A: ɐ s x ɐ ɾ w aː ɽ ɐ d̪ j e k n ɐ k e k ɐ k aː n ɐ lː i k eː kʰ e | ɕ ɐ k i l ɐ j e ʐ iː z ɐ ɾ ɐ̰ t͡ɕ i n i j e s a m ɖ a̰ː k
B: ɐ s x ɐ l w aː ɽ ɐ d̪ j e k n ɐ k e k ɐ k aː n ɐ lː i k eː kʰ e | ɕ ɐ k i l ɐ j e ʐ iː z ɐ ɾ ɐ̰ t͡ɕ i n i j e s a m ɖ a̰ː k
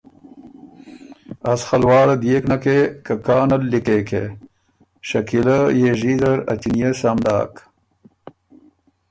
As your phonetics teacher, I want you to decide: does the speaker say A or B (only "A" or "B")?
B